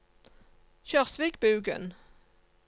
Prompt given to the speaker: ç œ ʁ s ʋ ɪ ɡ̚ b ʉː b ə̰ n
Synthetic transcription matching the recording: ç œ ʁ s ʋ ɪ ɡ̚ b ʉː ɡ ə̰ n